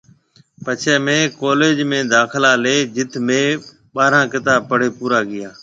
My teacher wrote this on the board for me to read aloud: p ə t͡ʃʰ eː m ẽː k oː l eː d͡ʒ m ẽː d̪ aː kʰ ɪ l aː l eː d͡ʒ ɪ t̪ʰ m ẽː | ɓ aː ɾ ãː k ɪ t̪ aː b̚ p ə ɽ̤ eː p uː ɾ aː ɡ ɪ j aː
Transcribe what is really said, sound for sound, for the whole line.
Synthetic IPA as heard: p ə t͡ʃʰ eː m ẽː k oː l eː d͡ʒ m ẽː d̪ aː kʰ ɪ l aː l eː d͡ʒ ɪ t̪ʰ m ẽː | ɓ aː ɾ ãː k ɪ t̪ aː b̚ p ə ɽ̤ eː p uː ɾ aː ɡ ɪ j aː